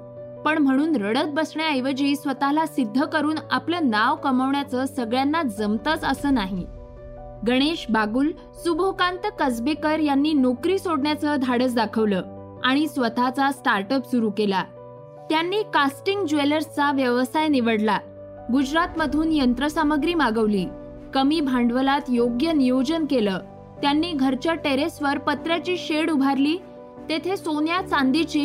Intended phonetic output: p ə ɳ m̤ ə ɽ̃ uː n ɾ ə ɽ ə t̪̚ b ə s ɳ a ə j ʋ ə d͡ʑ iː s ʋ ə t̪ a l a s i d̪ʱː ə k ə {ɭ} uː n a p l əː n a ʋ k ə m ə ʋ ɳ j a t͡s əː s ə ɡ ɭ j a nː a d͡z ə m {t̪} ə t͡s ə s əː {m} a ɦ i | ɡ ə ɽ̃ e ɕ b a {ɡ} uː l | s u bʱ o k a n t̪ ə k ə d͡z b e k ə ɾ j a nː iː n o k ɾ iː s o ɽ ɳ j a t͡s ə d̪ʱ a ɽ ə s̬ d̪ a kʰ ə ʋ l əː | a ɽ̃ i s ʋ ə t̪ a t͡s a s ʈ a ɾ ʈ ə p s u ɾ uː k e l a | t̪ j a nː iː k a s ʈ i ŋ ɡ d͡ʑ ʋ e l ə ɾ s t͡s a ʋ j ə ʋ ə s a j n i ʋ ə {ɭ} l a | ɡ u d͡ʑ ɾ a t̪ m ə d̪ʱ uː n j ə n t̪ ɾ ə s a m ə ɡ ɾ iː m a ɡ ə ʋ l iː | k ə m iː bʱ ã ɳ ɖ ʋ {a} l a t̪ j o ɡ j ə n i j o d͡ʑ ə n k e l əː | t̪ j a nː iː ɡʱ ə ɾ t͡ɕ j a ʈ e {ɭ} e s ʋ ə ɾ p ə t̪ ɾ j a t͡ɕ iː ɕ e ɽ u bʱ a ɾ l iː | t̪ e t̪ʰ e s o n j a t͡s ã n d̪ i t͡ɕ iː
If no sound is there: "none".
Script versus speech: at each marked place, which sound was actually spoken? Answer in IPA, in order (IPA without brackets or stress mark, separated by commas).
ɾ, t̪, n, ɡ, ɽ, ə, ɾ